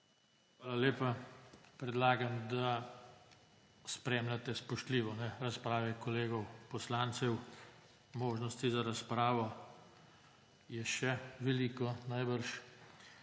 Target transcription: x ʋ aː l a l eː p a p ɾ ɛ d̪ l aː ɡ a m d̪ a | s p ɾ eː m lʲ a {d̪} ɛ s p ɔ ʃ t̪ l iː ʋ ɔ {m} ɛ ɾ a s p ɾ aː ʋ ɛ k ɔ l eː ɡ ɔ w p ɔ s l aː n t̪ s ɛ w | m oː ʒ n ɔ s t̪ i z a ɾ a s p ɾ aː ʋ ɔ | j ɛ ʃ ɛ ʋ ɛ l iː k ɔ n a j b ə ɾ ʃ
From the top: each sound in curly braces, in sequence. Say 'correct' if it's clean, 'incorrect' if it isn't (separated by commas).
incorrect, incorrect